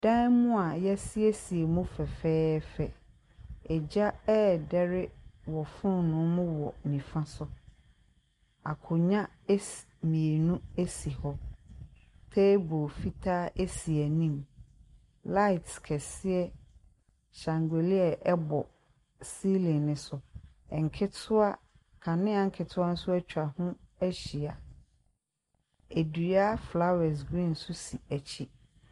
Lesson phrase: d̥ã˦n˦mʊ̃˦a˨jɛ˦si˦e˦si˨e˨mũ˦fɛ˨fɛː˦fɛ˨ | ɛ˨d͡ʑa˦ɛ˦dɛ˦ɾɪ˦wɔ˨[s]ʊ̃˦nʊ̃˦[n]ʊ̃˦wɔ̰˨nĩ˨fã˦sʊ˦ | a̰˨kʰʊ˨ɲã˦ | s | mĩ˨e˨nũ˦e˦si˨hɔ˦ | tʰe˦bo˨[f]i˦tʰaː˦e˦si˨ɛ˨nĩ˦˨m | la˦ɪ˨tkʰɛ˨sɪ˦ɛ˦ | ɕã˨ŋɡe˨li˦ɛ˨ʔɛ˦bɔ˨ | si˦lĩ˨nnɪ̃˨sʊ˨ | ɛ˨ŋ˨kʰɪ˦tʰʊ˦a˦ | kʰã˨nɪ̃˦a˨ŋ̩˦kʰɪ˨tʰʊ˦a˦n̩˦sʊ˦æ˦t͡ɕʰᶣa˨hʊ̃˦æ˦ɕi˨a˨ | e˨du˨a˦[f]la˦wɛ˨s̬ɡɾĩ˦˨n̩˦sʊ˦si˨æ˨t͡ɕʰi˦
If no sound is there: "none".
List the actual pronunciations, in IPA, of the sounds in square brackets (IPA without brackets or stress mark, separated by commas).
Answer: f, m, f, f